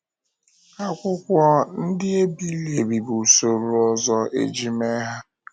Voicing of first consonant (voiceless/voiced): voiceless